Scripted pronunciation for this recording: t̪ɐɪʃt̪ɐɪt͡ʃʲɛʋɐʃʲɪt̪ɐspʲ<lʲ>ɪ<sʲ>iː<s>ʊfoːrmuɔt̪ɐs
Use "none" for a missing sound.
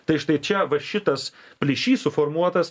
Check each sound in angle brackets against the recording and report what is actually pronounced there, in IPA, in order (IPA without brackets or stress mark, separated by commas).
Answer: lʲ, ʃʲ, s